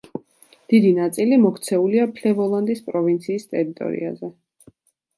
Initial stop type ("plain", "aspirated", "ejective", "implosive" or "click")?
plain